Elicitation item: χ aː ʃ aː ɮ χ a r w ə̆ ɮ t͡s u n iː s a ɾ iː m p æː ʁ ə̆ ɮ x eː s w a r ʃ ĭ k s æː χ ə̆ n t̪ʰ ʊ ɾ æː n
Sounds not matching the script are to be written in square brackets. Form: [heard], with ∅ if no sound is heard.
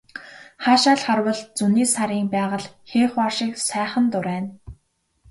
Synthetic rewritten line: χ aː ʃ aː ɮ χ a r w ə̆ ɮ t͡s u n iː s a ɾ iː [ŋ] p æː ʁ ə̆ ɮ x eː [χ] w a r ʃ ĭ k s æː χ ə̆ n [t̪] ʊ ɾ æː n